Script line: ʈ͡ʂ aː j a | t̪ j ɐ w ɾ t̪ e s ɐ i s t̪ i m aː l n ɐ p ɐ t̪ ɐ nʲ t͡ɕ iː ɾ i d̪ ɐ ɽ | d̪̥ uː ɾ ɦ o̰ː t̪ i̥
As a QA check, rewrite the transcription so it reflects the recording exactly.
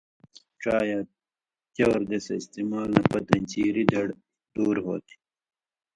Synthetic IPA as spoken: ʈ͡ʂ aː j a | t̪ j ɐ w ɾ d̪ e s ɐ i s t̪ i m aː l n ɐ p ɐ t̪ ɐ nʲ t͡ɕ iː ɾ i d̪ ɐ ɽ | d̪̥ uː ɾ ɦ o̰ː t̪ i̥